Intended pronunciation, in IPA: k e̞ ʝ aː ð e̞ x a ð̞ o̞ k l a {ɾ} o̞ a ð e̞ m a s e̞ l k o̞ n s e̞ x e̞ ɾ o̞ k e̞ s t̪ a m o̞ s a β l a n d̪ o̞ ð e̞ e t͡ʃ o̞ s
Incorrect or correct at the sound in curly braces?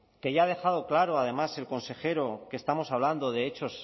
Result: correct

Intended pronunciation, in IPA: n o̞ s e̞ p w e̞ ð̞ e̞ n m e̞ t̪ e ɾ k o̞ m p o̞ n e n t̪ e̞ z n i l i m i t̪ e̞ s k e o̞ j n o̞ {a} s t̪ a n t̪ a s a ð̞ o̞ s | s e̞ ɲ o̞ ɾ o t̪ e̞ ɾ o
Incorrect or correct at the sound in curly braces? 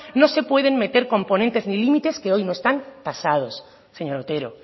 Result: incorrect: e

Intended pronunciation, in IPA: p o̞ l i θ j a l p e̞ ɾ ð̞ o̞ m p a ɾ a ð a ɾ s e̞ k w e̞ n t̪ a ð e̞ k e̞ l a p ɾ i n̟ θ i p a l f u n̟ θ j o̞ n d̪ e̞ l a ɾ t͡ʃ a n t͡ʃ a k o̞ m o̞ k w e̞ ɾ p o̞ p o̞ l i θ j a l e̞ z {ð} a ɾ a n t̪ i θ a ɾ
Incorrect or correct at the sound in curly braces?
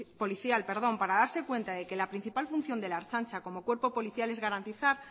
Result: incorrect: ɣ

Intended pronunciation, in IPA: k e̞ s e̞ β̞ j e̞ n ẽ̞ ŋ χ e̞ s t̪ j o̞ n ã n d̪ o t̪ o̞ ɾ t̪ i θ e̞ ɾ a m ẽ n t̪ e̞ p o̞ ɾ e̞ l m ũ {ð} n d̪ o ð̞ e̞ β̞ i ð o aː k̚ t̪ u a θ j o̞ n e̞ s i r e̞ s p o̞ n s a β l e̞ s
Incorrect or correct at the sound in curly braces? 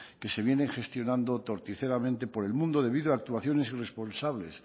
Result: incorrect: none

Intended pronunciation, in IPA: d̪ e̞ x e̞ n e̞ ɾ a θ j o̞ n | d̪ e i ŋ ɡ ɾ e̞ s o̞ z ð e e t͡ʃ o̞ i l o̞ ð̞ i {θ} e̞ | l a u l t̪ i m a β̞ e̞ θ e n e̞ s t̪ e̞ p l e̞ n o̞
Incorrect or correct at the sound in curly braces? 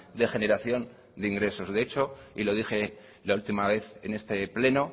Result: incorrect: x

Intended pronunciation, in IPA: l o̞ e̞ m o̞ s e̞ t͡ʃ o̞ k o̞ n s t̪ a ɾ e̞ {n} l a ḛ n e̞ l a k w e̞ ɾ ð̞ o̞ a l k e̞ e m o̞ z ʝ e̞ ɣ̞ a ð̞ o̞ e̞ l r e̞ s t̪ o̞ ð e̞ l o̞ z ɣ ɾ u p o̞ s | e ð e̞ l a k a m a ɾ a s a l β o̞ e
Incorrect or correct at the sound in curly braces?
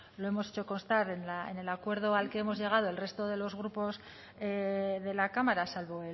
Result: correct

